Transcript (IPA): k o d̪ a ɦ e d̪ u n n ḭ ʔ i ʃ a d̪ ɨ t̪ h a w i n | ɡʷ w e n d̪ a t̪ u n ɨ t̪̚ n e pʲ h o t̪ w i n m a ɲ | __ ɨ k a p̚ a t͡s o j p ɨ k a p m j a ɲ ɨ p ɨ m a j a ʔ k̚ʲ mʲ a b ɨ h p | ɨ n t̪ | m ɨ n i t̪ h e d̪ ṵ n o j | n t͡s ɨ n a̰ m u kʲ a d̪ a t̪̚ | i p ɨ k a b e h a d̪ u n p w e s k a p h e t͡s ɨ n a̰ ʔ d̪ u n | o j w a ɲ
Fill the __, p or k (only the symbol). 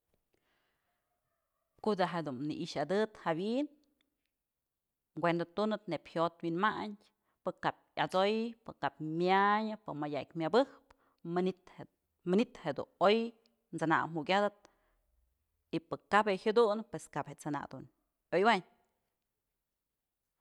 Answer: p